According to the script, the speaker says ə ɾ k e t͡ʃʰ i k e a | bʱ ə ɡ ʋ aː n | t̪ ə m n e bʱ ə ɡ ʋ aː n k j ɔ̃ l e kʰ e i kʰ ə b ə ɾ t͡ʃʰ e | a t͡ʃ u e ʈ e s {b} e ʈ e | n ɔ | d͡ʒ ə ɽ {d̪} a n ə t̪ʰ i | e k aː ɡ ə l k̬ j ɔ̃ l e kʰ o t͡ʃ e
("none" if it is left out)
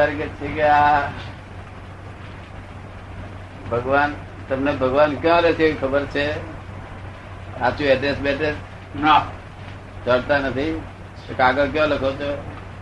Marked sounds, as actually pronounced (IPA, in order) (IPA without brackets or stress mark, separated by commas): b, t̪